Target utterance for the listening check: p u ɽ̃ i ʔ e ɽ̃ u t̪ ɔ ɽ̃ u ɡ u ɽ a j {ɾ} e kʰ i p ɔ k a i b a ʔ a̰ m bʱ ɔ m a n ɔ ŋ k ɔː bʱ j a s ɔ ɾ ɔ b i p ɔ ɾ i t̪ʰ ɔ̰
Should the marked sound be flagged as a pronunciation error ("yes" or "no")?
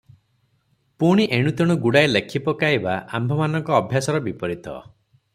yes